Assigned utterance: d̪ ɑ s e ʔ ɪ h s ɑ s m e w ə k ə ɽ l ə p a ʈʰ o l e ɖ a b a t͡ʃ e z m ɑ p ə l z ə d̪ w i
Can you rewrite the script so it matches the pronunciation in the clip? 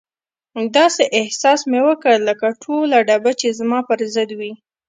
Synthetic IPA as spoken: d̪ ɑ s e ʔ ɪ h s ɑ s m e w ə k ə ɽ l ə k a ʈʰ o l a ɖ a b a t͡ʃ e z m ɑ p ə ɾ z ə d̪ w i